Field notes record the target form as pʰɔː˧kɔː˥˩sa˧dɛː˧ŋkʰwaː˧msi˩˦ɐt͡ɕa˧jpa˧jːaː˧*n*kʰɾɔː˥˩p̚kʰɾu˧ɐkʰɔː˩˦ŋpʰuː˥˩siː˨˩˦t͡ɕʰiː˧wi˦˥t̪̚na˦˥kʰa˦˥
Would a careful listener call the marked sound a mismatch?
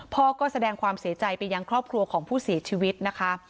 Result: yes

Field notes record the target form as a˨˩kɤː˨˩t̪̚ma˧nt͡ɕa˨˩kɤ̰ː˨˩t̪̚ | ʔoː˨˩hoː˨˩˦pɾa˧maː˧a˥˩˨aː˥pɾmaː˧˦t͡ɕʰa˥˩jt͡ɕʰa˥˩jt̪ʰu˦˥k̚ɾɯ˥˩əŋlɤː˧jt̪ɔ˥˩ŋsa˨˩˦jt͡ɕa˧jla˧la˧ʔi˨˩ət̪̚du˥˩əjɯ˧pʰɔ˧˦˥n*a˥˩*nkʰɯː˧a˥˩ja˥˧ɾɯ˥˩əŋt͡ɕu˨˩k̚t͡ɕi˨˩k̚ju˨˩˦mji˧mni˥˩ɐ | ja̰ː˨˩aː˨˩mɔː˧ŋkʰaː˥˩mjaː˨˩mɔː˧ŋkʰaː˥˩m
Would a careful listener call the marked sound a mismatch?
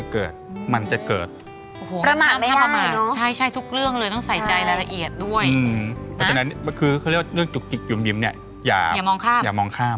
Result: yes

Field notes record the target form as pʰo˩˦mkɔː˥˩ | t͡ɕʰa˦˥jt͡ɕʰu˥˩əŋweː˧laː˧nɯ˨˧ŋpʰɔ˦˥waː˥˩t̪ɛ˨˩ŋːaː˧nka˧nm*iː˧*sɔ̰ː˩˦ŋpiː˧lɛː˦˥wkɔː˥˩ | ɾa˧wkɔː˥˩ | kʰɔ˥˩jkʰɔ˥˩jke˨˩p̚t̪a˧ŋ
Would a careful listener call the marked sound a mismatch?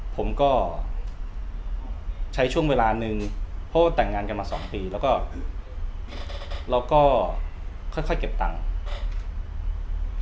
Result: yes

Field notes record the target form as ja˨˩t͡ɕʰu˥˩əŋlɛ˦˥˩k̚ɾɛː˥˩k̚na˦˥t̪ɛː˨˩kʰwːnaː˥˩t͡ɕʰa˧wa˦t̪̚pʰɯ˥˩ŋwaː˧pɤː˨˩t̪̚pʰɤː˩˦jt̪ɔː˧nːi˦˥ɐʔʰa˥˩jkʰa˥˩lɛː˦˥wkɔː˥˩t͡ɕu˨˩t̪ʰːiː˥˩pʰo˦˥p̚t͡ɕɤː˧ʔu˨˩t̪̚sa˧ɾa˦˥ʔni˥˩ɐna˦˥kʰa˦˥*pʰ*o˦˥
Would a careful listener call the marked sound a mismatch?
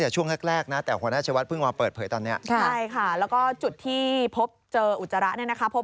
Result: no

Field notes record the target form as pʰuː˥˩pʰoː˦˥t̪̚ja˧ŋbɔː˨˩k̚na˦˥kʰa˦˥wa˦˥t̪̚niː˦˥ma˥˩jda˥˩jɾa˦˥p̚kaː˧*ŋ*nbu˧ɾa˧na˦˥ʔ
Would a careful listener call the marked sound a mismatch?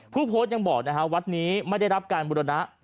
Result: yes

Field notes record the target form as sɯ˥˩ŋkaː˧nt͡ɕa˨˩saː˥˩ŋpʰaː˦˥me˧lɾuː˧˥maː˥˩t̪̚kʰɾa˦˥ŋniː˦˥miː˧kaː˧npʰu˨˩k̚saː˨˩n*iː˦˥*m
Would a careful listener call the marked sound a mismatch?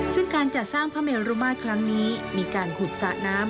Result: yes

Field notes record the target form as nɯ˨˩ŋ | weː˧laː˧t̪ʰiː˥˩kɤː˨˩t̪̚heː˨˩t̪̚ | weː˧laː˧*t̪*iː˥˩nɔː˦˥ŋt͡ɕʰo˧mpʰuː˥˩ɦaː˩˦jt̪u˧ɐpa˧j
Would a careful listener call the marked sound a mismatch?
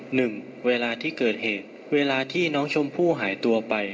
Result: yes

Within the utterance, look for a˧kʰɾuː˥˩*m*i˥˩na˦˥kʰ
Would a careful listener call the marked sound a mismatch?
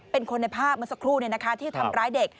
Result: yes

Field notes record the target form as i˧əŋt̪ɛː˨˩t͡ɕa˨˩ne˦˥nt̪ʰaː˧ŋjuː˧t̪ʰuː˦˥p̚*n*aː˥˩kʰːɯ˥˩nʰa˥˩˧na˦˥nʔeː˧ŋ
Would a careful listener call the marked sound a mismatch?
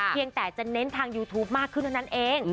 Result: yes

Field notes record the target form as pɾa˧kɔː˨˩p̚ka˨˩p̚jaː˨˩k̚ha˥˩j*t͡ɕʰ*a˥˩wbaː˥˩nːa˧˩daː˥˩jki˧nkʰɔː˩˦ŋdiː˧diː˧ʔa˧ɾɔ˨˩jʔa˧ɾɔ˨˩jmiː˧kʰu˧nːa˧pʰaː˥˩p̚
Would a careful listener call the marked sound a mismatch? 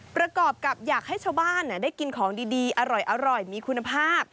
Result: no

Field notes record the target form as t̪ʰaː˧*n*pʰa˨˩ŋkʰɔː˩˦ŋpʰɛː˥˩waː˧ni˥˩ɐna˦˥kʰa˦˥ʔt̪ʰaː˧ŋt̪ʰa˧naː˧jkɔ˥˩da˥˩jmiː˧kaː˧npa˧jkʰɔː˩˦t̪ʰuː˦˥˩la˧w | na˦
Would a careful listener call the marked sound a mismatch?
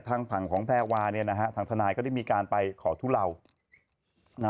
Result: yes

